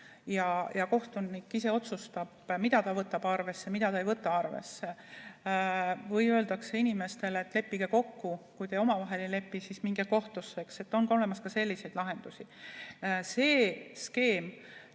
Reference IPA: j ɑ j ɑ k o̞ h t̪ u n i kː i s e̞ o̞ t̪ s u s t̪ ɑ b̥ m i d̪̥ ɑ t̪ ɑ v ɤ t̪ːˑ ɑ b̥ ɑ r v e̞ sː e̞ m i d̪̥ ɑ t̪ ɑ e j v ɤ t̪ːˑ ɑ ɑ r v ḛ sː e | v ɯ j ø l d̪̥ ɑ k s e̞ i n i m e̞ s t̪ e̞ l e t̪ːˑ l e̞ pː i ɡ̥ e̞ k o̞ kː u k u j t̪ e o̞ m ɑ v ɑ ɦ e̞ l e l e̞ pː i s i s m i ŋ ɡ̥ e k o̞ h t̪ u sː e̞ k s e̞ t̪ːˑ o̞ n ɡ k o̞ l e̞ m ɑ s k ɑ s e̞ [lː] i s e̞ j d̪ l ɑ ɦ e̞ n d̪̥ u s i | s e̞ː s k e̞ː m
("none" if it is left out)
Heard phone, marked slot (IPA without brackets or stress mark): lː